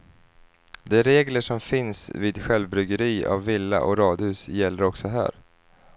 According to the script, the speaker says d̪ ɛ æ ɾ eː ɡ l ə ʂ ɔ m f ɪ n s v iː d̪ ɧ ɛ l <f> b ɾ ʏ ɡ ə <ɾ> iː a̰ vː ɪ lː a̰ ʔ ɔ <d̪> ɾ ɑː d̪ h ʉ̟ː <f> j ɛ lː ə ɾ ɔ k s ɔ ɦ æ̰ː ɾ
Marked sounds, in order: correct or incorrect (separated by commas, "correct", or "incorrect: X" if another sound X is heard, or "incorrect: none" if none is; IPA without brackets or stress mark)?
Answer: incorrect: v, correct, incorrect: none, incorrect: s